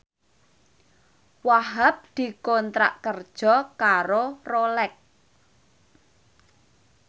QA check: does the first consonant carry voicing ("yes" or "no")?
yes